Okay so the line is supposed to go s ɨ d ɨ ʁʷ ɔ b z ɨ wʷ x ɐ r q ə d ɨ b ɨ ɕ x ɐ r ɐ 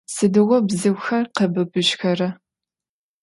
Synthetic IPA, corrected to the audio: s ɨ d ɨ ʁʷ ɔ b z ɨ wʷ x ɐ r q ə b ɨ b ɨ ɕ x ɐ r ɐ